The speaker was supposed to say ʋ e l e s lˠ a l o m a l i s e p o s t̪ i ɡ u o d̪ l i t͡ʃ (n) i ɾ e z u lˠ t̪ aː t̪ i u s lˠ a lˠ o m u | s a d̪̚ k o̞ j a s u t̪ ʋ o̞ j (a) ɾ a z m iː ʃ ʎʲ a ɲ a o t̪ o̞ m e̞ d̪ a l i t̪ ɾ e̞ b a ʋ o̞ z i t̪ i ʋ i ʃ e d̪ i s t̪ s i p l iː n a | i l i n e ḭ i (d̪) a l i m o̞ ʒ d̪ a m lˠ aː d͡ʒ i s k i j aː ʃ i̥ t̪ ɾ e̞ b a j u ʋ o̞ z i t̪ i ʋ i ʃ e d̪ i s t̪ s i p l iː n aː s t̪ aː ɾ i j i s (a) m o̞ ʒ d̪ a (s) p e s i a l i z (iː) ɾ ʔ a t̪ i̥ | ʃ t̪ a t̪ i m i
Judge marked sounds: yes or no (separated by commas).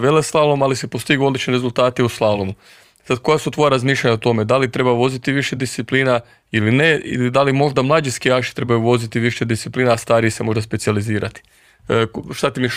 yes, yes, yes, no, yes, yes